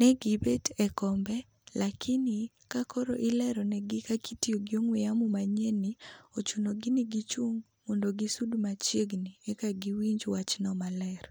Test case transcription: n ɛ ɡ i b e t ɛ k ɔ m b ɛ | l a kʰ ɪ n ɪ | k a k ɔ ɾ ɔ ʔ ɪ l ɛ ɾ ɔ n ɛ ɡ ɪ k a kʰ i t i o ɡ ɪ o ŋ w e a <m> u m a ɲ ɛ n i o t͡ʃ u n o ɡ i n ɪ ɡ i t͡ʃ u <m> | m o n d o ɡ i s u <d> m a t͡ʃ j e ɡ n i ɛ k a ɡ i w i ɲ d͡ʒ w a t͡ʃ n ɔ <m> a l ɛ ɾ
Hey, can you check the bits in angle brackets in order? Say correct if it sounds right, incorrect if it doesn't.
correct, incorrect, correct, correct

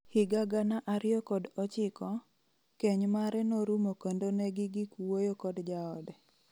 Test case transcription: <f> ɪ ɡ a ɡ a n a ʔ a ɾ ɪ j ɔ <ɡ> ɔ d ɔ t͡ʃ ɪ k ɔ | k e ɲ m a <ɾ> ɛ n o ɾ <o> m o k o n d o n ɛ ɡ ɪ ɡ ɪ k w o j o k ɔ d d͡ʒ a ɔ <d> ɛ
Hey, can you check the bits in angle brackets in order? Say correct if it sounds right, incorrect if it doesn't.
incorrect, incorrect, correct, incorrect, correct

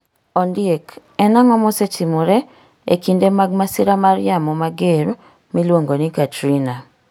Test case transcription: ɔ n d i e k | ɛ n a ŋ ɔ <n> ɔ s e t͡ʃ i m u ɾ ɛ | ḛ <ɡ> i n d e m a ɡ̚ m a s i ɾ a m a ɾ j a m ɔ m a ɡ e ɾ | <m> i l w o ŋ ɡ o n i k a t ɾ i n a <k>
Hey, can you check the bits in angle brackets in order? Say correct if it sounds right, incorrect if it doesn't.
incorrect, incorrect, correct, incorrect

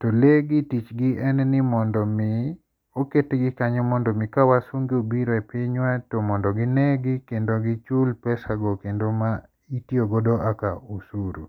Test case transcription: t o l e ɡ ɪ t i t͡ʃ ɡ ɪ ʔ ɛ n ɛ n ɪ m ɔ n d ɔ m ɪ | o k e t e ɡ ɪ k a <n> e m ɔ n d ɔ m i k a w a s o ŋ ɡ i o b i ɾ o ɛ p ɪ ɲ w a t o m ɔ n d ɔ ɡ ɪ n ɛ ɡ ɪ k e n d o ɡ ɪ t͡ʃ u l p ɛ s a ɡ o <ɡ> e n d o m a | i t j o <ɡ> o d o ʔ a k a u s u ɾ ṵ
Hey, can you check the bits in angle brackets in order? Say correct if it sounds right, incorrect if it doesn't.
incorrect, incorrect, correct

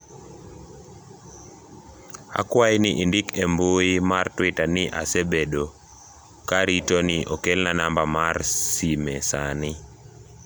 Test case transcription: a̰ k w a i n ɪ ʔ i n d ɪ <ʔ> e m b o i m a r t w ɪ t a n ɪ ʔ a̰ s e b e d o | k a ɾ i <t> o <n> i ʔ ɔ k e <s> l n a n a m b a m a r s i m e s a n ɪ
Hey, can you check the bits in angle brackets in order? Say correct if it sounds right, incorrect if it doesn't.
incorrect, correct, correct, incorrect

